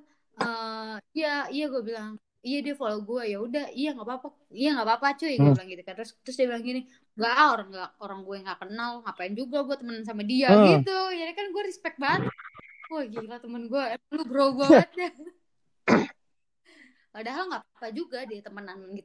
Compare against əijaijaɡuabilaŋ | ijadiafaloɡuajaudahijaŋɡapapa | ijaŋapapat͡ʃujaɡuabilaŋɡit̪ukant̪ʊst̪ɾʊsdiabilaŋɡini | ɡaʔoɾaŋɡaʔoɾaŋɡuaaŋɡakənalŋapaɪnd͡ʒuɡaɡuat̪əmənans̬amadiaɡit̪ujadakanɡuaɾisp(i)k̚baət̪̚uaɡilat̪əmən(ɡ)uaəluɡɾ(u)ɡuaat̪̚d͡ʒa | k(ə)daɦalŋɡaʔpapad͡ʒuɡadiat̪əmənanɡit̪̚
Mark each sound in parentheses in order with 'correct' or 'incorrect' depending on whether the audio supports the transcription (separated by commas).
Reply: incorrect, correct, incorrect, incorrect